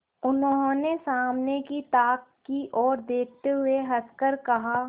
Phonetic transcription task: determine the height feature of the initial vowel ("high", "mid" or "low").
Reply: high